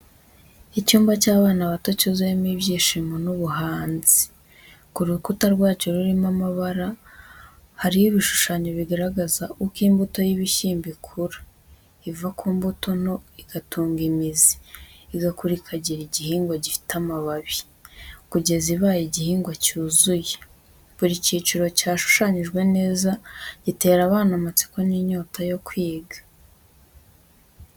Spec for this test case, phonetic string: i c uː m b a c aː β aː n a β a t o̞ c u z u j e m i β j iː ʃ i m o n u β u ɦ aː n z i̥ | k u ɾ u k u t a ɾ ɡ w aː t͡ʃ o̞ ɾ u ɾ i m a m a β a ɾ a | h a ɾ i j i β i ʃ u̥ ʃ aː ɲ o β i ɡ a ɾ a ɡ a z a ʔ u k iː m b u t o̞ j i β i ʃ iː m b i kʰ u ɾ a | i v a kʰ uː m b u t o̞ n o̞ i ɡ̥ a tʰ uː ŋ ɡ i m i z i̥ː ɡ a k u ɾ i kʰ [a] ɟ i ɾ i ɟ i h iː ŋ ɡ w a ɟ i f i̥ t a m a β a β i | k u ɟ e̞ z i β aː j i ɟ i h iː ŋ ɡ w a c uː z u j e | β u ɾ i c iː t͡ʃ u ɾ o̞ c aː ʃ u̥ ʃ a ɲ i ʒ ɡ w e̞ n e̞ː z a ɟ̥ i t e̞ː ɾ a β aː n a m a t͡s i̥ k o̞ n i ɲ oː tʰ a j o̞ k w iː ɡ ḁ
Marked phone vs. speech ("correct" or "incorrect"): correct